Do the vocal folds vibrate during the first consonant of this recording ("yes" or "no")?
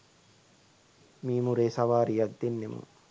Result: yes